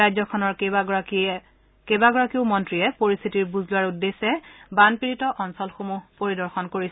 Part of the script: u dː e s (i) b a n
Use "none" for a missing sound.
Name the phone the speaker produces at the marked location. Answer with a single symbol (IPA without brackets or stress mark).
ɛ